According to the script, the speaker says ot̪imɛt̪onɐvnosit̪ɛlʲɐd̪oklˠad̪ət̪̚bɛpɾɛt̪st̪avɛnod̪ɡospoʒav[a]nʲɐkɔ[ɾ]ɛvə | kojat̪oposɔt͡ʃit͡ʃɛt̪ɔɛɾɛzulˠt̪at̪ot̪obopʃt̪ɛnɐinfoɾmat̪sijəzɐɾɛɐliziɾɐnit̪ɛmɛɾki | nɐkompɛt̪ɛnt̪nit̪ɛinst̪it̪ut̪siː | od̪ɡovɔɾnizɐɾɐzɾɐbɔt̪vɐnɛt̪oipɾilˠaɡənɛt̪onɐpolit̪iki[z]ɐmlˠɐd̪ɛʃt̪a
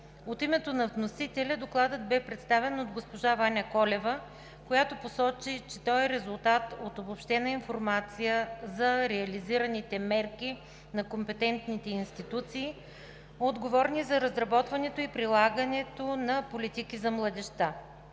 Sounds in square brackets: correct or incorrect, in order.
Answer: correct, incorrect, correct

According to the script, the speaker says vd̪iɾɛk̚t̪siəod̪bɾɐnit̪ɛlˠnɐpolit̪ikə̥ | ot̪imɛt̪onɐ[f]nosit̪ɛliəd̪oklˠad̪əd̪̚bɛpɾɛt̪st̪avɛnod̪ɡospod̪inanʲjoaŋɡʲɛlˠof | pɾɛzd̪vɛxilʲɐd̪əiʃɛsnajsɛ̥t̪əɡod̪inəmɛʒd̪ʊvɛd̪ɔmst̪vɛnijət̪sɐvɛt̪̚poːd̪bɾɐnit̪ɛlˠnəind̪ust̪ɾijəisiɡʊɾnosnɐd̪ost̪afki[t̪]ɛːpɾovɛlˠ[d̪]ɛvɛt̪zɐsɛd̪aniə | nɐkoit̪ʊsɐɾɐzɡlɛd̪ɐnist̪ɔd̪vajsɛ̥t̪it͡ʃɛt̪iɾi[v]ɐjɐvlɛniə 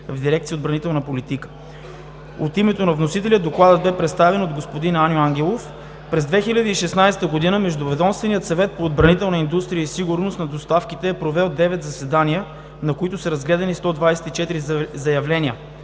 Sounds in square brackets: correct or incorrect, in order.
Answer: incorrect, correct, correct, incorrect

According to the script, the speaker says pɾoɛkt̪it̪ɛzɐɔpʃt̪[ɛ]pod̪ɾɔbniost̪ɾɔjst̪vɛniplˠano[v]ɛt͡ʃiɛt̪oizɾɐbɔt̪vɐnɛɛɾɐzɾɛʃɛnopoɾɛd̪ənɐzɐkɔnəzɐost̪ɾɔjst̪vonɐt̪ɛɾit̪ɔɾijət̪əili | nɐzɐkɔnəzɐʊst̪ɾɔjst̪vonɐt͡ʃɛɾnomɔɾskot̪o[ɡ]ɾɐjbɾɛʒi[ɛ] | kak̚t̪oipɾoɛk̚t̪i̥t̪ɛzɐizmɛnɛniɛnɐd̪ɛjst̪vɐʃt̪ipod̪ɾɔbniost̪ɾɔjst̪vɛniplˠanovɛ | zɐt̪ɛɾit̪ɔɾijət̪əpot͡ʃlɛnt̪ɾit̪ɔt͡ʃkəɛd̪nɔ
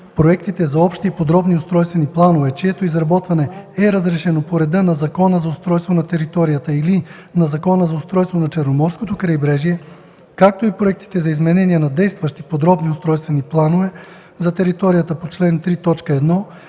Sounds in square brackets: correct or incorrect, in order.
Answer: incorrect, correct, incorrect, correct

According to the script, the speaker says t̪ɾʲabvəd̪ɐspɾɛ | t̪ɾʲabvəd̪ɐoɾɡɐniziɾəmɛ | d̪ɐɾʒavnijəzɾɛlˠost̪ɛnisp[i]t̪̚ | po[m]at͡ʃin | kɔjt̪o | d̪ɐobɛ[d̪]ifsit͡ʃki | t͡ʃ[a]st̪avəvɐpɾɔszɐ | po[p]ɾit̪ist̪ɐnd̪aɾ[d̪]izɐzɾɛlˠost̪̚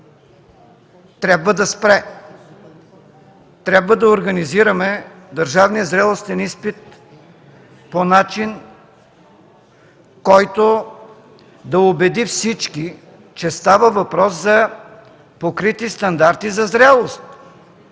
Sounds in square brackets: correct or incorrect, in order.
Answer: correct, incorrect, correct, incorrect, incorrect, incorrect

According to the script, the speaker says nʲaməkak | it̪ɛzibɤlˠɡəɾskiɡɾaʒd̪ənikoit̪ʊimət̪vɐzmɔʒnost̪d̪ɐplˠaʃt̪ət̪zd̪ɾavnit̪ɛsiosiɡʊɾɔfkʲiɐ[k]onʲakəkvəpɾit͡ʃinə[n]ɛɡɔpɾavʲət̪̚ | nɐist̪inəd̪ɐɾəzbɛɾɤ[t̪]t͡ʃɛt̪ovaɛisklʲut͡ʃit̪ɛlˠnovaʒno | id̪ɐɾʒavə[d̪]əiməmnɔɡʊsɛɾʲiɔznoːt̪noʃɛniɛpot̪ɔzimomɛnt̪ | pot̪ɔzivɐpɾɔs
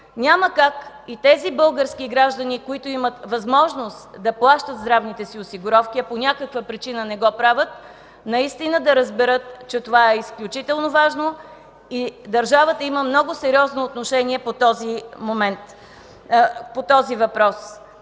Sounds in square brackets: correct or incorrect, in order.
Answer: incorrect, correct, correct, incorrect

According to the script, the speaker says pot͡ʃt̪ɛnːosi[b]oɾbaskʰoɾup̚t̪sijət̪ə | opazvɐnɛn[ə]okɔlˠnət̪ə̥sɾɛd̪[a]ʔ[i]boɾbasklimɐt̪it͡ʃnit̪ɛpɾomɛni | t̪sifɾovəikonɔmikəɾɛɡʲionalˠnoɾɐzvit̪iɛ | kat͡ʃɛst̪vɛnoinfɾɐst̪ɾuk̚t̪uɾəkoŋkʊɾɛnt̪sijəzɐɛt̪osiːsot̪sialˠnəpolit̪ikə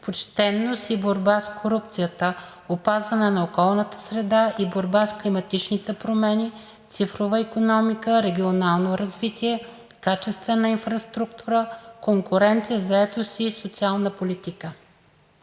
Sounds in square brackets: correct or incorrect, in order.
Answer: correct, incorrect, correct, correct

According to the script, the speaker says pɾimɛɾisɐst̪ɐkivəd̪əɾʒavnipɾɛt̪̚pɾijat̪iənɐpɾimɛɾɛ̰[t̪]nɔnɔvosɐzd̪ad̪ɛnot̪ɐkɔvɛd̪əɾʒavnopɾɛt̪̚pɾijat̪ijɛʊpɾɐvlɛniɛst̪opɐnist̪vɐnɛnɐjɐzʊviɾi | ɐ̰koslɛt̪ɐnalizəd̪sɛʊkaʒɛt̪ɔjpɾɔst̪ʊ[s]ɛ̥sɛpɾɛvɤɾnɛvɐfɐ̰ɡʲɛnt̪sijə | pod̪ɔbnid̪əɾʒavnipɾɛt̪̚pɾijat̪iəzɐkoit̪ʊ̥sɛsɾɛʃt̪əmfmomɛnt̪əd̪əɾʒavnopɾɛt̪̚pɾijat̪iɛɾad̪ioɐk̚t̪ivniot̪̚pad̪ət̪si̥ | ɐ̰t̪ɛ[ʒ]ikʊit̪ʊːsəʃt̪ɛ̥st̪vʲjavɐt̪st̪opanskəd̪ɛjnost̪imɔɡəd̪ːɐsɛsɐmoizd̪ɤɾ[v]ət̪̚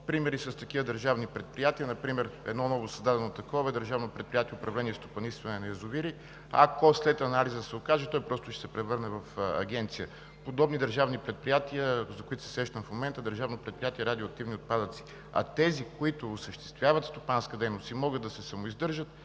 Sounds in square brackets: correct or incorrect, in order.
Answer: incorrect, incorrect, incorrect, incorrect

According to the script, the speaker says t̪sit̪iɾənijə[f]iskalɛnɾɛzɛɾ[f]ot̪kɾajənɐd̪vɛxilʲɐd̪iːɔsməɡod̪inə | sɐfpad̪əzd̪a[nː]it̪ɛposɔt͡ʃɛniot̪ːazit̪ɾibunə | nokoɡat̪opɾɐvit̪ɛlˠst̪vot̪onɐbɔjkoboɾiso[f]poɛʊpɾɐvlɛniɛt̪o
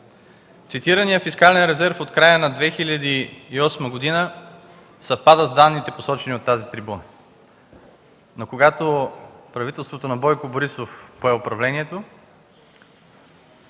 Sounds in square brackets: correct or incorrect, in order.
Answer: correct, correct, correct, correct

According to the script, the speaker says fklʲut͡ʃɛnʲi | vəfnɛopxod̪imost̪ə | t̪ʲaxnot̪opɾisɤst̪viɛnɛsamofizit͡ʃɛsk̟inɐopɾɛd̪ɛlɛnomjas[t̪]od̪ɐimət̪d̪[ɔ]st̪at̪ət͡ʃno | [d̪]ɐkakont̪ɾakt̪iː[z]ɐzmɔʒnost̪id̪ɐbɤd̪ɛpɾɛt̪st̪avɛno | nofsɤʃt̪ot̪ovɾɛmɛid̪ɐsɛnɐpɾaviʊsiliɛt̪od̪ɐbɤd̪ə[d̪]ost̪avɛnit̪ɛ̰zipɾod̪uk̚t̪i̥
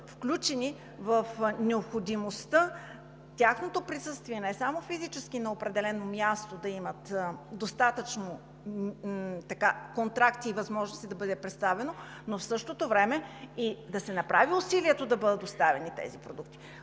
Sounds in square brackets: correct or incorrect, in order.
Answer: correct, incorrect, incorrect, incorrect, incorrect

